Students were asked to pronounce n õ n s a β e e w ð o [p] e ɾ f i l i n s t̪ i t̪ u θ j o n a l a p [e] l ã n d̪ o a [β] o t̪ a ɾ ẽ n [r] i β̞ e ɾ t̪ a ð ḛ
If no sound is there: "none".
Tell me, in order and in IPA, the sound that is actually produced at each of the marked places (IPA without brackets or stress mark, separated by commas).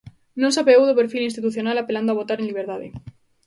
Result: p, e, β, l